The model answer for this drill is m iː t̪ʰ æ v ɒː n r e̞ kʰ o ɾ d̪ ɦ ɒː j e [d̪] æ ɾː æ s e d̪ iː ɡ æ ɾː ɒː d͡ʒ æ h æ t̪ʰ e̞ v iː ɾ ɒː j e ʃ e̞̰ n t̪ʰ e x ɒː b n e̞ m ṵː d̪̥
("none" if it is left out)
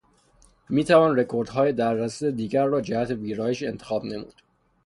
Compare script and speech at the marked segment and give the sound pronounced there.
d̪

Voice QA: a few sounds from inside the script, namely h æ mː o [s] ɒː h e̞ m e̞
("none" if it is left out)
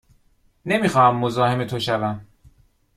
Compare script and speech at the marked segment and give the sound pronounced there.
z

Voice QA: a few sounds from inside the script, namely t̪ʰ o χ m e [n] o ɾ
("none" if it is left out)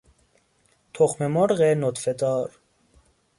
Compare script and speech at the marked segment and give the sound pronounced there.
m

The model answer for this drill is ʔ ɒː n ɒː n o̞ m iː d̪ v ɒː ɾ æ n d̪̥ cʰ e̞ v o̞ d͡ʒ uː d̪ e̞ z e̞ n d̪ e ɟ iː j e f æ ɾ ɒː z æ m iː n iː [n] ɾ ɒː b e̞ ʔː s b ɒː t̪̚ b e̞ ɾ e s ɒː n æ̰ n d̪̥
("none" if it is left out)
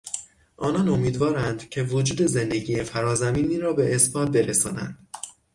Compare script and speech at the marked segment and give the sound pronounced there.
none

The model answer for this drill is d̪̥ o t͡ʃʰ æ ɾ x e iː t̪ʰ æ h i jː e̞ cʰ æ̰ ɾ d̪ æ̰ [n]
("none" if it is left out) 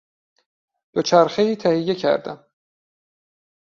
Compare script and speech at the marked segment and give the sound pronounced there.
m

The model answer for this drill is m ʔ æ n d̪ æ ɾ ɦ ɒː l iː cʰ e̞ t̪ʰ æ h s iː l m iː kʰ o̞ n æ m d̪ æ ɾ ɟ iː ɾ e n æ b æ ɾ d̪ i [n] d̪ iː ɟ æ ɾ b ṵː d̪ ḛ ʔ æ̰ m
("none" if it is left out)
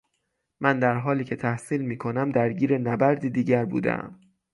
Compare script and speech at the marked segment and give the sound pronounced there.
none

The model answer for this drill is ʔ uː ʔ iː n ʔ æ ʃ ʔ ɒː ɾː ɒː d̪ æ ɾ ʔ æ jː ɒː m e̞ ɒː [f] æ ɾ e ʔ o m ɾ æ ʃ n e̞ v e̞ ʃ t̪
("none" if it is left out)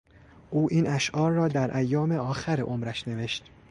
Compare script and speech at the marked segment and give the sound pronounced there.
x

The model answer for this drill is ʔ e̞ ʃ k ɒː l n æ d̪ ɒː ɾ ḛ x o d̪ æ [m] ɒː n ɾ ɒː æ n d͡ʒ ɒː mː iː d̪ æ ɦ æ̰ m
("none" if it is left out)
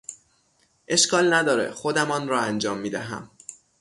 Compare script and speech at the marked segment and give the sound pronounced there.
m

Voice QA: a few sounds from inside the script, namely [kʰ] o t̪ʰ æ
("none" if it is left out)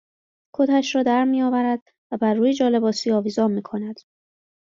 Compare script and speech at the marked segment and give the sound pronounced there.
kʰ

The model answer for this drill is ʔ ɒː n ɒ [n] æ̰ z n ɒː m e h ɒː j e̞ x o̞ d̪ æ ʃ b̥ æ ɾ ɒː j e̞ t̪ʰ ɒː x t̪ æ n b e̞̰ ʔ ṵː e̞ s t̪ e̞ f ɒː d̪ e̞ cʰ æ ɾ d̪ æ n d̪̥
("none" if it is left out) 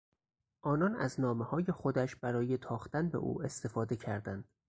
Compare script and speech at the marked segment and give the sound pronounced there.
n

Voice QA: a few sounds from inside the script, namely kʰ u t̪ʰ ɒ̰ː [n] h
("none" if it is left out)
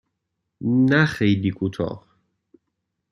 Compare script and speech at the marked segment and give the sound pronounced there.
none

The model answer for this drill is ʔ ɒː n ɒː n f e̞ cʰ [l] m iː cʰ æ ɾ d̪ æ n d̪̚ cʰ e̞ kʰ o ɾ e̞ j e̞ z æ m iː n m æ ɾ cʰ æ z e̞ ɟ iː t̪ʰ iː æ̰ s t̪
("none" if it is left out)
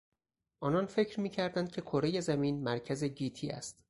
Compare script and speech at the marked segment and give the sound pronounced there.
ɾ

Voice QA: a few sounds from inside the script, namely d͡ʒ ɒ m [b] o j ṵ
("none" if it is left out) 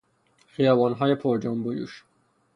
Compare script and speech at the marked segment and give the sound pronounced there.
b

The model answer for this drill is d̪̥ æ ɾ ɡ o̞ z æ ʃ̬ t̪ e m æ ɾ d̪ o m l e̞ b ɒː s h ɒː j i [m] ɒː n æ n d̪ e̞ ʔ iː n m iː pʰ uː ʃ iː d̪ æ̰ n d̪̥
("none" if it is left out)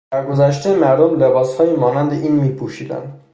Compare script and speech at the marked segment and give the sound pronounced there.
m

